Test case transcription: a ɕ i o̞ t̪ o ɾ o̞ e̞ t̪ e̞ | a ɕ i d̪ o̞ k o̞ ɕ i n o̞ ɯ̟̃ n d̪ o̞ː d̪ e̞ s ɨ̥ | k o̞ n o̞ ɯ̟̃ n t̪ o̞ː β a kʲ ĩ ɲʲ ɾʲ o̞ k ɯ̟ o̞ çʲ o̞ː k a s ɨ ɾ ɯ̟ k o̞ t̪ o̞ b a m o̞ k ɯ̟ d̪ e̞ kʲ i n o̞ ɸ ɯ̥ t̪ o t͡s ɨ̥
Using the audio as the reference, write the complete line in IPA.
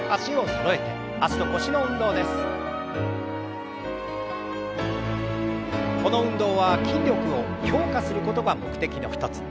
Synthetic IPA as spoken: a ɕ i o̞ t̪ o ɾ o̞ e̞ t̪ e̞ | a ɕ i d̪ o̞ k o̞ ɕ i n o̞ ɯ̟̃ n d̪ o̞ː d̪ e̞ s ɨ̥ | k o̞ n o̞ ɯ̟̃ n d̪ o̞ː β a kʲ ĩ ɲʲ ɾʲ o̞ k ɯ̟ o̞ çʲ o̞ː k a s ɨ ɾ ɯ̟ k o̞ t̪ o̞ ɡ a m o̞ k ɯ̟ t̪ e̞ kʲ i n o̞ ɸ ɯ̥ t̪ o t͡s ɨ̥